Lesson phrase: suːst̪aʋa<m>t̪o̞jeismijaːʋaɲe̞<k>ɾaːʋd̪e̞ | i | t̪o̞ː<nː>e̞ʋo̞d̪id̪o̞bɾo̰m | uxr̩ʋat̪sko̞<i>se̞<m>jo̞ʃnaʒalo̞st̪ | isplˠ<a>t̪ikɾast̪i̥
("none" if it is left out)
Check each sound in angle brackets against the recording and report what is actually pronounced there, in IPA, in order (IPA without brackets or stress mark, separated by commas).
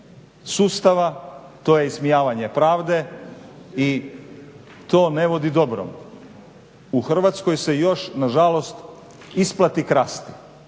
none, p, n, j, none, a